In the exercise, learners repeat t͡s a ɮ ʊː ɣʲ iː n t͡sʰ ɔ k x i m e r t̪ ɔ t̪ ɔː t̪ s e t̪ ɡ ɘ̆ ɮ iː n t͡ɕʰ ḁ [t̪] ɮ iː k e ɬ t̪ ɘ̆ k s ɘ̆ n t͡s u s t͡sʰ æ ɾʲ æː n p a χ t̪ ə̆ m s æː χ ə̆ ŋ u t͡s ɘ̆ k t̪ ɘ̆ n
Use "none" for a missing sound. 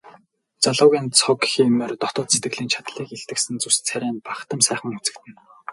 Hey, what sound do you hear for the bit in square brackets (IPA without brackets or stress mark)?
t̪